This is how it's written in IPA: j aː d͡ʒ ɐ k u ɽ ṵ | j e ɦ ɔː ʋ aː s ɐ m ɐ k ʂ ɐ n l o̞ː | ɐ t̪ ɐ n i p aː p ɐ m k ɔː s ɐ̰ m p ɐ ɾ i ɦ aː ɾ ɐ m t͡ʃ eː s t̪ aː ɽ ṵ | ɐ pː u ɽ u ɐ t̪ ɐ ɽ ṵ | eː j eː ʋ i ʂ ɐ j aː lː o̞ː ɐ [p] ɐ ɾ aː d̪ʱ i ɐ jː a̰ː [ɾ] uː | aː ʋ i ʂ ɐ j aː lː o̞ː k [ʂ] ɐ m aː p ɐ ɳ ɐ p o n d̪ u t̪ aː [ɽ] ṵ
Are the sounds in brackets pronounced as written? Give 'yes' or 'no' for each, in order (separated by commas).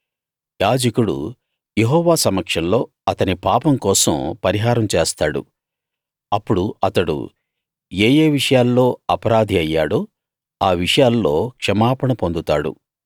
yes, no, yes, yes